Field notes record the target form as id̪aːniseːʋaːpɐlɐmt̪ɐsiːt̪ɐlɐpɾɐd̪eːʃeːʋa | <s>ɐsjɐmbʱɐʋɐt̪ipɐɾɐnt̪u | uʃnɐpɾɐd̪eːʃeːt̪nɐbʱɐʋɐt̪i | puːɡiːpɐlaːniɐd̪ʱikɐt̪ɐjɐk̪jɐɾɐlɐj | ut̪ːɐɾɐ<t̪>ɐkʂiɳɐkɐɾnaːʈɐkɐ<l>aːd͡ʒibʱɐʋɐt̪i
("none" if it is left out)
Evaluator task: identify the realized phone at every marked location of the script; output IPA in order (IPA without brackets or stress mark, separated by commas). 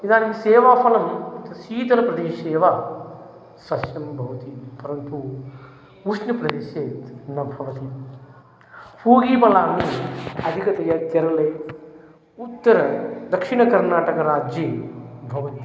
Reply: s, d̪, ɾ